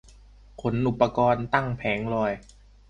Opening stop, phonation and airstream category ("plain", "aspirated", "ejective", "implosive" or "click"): aspirated